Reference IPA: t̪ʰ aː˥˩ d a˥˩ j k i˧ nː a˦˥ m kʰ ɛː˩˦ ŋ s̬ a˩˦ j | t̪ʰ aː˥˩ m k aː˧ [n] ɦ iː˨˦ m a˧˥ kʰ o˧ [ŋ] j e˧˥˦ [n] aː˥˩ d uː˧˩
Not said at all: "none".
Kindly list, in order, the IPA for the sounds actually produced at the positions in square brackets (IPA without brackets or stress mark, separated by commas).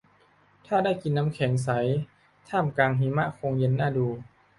ŋ, ŋ, nː